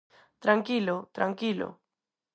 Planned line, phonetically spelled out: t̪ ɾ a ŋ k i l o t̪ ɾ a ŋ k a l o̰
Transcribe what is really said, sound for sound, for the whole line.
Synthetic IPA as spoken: t̪ ɾ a ŋ k i l o t̪ ɾ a ŋ k i l o̰